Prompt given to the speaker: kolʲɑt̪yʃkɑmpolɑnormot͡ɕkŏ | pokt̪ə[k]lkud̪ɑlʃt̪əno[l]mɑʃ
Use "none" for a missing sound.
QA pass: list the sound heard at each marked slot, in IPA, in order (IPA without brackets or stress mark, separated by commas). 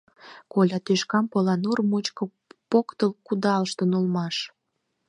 none, l